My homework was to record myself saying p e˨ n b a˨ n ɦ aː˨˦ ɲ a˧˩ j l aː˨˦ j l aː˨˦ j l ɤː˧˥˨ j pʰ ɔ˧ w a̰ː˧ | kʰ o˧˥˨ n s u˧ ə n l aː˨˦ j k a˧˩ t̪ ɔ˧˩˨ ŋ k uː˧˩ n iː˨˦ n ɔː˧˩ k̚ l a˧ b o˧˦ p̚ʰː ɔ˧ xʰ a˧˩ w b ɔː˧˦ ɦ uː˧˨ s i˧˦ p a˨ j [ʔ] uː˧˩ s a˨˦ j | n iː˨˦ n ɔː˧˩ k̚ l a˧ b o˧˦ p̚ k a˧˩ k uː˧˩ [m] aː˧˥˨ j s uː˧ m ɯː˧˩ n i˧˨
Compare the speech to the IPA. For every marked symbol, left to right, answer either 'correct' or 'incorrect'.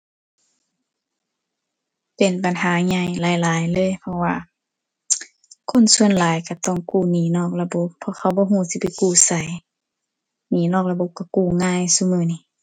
incorrect, incorrect

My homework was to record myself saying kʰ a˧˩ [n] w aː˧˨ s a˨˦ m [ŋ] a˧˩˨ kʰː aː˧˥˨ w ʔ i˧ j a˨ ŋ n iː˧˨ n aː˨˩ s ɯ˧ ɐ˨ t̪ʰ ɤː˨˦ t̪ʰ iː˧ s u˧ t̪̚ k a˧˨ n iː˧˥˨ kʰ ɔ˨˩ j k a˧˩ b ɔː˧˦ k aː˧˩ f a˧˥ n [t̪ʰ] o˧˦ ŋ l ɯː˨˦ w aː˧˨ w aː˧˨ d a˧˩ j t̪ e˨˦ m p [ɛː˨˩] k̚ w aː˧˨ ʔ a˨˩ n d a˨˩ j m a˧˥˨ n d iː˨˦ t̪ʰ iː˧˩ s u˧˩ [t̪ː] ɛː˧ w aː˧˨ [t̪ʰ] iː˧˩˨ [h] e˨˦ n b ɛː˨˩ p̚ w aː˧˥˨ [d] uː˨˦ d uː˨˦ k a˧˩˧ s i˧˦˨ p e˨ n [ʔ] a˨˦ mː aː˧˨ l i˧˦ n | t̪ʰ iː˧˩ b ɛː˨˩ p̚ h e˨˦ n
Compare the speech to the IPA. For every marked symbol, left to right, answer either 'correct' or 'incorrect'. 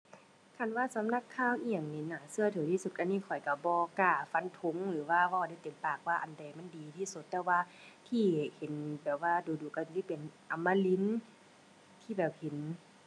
correct, incorrect, correct, incorrect, correct, correct, correct, correct, correct

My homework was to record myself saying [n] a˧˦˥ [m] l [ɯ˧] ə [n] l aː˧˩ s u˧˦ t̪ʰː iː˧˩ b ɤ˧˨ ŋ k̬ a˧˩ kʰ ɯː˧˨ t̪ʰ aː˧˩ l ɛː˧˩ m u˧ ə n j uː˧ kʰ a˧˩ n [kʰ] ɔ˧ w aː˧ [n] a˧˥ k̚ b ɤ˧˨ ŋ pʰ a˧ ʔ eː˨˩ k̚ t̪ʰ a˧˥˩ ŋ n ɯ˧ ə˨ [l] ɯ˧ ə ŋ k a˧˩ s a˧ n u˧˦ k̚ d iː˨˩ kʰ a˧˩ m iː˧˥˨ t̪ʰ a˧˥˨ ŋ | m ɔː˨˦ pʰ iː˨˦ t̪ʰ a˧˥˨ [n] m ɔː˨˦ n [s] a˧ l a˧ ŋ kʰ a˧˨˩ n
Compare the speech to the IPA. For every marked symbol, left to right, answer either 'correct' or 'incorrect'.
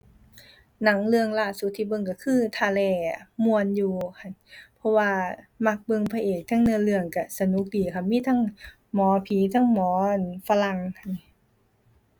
correct, incorrect, correct, incorrect, incorrect, incorrect, correct, incorrect, incorrect

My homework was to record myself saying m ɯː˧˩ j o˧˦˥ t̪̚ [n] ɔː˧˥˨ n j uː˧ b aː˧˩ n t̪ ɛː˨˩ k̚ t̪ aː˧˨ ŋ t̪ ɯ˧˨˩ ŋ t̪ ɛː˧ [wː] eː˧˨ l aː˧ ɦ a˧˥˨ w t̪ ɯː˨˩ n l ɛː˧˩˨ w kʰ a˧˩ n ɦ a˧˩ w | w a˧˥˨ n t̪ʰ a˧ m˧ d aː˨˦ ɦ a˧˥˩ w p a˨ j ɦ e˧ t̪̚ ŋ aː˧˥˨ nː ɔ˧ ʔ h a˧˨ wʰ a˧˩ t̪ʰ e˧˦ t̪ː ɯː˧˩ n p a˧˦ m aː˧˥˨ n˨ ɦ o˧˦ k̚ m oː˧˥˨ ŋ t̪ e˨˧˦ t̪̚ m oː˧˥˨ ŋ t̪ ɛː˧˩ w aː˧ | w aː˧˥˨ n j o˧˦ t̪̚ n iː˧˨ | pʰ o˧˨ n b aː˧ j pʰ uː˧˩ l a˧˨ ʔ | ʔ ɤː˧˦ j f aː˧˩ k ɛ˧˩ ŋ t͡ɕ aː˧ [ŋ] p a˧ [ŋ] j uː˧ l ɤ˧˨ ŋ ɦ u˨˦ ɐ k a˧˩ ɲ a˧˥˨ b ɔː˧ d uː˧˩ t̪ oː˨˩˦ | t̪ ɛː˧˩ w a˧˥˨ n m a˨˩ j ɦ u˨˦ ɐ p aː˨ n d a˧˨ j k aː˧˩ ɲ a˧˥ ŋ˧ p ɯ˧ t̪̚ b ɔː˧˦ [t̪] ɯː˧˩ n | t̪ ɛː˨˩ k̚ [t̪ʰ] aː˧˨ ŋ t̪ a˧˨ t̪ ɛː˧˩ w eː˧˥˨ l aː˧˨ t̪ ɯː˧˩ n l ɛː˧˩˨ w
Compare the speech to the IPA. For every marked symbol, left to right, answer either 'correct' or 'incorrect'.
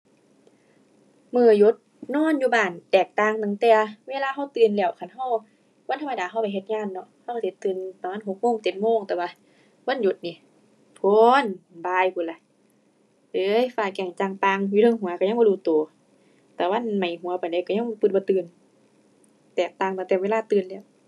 correct, incorrect, correct, correct, correct, incorrect

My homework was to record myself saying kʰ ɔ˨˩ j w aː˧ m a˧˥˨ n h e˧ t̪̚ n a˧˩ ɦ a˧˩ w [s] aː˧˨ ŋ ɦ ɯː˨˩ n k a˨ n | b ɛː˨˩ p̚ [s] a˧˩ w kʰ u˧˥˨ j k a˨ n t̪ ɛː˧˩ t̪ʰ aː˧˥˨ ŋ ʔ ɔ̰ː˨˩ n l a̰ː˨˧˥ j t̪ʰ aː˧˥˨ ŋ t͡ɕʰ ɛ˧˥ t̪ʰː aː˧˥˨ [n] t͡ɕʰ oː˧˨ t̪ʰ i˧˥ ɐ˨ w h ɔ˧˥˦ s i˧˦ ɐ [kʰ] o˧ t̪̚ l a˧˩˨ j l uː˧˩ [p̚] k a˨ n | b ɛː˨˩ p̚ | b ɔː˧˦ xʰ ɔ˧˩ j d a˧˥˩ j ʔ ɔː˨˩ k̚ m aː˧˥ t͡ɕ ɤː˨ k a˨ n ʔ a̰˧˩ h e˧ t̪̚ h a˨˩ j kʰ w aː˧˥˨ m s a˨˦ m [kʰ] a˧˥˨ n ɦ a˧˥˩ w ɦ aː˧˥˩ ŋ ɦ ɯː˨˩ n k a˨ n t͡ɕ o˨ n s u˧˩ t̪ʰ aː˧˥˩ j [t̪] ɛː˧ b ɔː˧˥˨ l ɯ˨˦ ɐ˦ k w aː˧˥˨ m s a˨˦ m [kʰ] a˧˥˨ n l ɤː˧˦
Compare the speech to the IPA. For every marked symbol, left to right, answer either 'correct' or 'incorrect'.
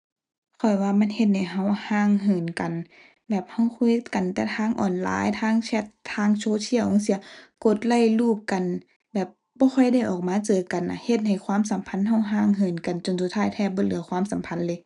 incorrect, incorrect, incorrect, incorrect, correct, incorrect, incorrect, incorrect

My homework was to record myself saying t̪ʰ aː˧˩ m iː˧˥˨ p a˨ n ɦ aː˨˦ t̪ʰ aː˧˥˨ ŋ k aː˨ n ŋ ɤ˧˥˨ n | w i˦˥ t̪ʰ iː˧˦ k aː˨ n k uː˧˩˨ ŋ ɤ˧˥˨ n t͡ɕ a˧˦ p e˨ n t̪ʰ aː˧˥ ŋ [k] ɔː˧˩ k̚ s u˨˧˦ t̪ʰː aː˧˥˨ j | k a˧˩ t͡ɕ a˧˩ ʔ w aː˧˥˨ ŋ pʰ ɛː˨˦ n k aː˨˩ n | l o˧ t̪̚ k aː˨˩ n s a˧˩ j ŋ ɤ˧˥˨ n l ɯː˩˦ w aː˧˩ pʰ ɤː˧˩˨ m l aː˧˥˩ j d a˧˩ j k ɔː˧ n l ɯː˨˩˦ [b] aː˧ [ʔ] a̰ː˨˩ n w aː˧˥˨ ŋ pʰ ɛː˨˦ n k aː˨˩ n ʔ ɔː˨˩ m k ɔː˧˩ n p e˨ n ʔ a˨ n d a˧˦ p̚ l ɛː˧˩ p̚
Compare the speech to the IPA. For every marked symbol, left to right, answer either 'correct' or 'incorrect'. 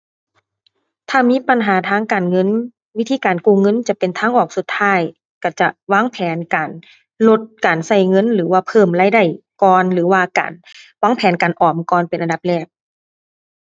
incorrect, incorrect, incorrect

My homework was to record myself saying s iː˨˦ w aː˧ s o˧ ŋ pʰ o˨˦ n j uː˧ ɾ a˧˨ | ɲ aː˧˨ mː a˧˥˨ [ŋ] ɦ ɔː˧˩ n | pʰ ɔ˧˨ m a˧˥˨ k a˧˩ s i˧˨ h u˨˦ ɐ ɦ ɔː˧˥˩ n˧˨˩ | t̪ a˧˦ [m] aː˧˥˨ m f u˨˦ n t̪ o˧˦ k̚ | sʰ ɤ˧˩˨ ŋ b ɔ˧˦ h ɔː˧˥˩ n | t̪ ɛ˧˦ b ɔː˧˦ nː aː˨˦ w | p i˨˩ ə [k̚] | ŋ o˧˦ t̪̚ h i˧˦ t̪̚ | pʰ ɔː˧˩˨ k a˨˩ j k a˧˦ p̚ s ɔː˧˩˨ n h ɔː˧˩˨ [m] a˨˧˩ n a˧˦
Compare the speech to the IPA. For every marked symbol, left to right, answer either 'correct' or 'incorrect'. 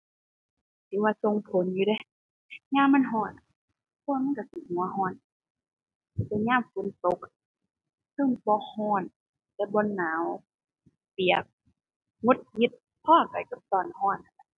incorrect, incorrect, correct, incorrect

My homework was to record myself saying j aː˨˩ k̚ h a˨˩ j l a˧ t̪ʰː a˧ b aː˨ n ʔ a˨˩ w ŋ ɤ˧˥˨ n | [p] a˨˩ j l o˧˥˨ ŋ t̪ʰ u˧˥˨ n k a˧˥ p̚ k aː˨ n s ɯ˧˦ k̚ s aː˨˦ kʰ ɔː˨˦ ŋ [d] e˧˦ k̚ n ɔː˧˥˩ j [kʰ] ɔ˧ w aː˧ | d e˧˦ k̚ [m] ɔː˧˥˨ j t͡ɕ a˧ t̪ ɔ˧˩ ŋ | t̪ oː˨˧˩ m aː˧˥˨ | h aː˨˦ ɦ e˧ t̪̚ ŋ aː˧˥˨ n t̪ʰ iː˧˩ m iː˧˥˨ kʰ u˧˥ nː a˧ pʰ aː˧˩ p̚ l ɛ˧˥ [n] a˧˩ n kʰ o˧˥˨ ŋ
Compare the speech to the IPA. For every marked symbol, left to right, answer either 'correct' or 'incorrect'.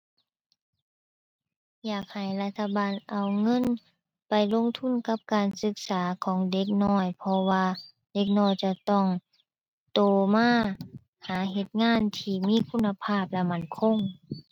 correct, correct, incorrect, incorrect, incorrect

